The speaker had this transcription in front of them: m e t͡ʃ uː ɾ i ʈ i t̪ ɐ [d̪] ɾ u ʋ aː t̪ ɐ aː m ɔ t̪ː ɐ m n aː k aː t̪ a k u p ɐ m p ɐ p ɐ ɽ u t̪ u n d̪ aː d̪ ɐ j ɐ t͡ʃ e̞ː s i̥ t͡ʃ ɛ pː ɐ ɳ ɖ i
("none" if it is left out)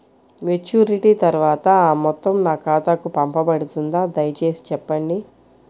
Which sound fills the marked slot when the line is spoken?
none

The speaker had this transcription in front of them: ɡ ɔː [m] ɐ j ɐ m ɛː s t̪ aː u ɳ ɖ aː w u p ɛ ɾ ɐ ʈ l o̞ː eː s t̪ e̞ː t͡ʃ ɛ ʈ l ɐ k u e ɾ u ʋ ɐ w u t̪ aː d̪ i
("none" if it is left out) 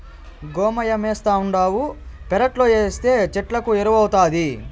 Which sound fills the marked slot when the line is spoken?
m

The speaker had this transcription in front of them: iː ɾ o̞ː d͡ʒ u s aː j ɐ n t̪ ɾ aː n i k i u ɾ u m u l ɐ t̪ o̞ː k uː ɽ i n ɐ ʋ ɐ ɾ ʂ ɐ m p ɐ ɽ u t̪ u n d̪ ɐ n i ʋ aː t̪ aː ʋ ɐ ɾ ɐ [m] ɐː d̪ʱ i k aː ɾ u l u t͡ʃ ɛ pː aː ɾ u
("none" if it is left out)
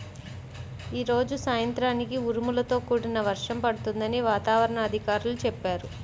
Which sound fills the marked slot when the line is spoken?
ɳ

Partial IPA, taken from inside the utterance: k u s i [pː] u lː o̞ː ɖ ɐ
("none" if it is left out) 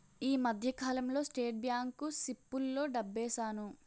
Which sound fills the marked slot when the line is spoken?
pː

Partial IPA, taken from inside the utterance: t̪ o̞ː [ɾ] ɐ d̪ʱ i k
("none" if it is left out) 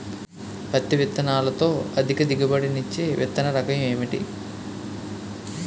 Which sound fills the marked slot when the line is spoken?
none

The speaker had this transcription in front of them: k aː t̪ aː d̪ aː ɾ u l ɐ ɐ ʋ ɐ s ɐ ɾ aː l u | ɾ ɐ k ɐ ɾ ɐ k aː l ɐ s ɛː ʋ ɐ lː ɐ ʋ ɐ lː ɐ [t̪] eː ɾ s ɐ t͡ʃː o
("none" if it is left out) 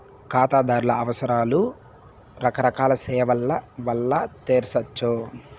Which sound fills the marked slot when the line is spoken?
t̪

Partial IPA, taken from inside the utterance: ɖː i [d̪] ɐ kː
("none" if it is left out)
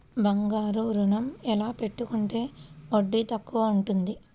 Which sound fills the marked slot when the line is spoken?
t̪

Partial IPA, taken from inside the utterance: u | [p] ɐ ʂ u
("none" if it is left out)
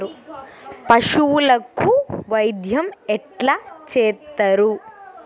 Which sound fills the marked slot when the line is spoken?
p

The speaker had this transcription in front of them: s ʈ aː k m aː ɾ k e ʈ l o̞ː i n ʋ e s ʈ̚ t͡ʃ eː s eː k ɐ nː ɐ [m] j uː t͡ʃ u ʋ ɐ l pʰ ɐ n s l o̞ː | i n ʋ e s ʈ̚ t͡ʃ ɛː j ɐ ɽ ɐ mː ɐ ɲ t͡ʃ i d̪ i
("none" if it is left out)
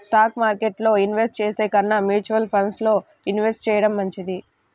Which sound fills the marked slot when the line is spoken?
m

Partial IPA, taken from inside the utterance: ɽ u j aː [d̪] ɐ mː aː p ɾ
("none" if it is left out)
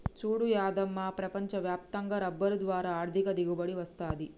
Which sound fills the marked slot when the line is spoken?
d̪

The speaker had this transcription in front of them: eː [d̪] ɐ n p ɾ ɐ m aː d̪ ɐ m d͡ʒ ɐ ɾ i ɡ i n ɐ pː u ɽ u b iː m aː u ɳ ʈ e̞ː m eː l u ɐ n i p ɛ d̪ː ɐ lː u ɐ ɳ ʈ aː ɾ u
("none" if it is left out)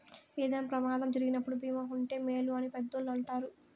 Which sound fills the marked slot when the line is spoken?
d̪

